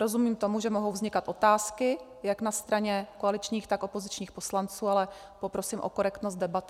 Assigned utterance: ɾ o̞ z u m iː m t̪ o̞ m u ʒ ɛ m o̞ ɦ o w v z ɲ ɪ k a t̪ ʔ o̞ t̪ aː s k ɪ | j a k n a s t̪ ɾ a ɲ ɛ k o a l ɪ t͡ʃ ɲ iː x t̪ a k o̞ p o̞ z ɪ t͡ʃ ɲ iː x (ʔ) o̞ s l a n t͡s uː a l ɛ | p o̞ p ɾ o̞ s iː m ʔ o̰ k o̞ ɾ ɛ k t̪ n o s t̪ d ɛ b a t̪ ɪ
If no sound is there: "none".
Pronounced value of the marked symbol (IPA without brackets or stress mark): p